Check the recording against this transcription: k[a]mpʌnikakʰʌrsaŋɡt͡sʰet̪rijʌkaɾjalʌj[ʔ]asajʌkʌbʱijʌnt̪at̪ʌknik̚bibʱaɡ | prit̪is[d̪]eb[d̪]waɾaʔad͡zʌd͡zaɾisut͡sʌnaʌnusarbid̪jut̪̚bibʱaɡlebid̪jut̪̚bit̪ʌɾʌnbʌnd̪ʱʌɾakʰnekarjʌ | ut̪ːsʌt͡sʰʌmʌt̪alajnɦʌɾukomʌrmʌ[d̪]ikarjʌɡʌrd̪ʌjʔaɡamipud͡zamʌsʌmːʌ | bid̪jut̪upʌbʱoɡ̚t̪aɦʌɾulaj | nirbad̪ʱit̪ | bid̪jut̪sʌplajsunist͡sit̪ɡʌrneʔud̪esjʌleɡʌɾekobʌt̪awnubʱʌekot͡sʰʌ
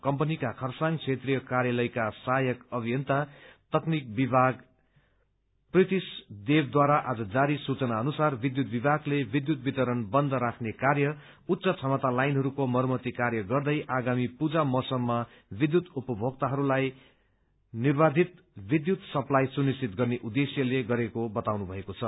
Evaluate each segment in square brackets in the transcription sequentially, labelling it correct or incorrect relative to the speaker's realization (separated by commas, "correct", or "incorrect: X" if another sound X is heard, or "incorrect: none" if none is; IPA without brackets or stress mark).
incorrect: ʌ, incorrect: k, correct, correct, incorrect: t̪